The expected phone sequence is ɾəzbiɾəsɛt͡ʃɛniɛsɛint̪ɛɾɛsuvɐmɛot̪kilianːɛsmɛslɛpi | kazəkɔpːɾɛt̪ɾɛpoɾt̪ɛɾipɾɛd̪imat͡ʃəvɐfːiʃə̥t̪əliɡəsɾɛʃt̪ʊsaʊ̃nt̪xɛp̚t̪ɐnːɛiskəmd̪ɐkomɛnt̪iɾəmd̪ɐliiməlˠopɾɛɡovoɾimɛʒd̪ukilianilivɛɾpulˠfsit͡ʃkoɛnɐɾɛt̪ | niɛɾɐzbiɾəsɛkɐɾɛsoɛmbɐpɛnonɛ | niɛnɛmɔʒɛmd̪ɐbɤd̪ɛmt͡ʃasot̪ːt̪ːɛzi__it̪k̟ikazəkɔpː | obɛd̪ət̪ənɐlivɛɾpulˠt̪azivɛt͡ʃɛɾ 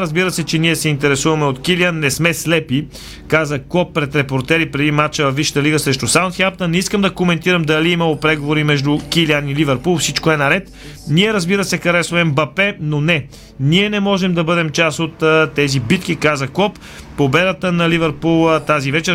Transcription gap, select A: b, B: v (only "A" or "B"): A